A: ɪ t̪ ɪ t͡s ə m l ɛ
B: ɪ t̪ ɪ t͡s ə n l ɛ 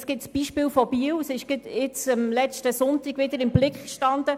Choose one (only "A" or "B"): A